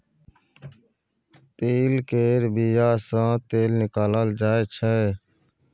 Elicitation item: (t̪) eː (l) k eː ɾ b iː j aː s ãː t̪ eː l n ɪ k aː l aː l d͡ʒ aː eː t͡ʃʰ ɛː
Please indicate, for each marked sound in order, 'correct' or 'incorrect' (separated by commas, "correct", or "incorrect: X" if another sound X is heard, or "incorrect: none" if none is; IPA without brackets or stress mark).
correct, correct